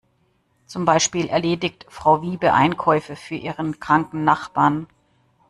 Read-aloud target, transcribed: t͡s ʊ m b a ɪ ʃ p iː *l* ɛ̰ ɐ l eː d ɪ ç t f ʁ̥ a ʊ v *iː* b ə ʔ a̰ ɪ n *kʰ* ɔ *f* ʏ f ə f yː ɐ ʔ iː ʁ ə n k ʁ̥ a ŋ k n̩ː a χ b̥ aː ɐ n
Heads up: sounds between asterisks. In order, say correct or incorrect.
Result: correct, correct, correct, incorrect

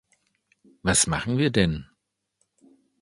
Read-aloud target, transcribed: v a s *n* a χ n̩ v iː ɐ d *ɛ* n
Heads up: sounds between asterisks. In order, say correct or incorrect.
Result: incorrect, correct

